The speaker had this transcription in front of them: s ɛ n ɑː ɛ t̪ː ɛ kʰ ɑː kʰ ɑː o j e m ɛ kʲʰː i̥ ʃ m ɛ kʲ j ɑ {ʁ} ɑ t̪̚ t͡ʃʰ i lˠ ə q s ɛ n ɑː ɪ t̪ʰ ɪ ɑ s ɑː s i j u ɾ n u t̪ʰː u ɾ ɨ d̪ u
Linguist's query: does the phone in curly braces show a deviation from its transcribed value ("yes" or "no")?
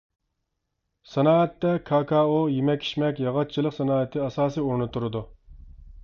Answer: no